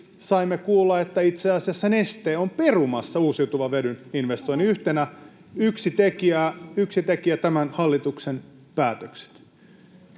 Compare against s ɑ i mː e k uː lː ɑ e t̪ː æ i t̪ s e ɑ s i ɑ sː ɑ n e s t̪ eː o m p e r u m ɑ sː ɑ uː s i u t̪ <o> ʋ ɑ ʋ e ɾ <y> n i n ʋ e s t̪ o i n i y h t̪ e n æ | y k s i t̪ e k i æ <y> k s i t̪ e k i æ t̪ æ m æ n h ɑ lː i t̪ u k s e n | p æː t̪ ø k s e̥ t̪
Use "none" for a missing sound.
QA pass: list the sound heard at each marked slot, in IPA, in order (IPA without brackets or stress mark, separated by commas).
u, y, y